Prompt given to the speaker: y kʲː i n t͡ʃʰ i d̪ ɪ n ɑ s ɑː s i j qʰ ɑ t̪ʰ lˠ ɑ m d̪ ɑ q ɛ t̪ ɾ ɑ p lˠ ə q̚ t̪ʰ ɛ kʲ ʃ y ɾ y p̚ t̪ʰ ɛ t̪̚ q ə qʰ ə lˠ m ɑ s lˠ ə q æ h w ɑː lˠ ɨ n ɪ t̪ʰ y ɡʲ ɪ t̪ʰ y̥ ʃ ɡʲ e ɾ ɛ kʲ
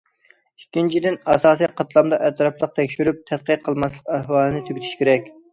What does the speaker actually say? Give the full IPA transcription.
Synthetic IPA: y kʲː i n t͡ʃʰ i d̪ ɪ n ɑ s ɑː s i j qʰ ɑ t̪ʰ lˠ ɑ m d̪ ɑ ʔ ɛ t̪ ɾ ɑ p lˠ ə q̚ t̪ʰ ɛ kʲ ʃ y ɾ y p̚ t̪ʰ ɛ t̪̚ q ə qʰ ə lˠ m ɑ s lˠ ə q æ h w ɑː lˠ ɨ n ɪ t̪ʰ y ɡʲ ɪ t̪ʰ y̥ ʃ kʲ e ɾ ɛ kʲ